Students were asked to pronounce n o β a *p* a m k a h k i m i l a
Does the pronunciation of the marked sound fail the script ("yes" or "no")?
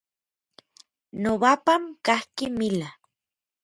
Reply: no